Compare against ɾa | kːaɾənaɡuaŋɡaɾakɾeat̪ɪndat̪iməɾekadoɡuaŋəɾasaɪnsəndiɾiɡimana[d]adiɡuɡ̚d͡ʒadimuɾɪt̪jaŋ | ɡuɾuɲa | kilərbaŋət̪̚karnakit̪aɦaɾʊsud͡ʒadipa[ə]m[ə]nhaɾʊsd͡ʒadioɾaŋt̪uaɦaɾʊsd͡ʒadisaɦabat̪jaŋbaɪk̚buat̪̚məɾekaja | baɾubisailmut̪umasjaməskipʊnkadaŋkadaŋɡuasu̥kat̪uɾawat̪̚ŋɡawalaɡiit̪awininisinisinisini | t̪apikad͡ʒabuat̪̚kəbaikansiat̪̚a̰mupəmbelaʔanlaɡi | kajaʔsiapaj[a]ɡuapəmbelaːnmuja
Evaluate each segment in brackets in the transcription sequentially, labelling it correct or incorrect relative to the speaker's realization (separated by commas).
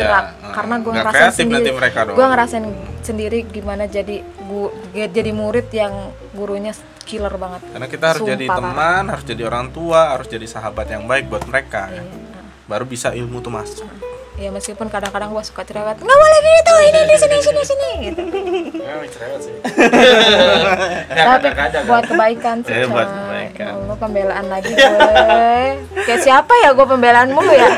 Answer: incorrect, correct, incorrect, correct